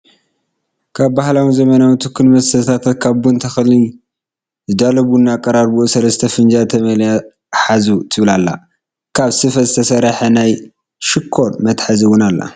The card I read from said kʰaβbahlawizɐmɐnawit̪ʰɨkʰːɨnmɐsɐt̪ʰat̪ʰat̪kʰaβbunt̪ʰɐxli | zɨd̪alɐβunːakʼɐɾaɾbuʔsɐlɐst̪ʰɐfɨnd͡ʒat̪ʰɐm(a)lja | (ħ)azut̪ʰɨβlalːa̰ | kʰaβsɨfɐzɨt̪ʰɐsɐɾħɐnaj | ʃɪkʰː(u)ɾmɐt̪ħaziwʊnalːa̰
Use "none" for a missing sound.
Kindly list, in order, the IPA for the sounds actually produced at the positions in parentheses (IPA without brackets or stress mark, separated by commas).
ɐ, ħ, o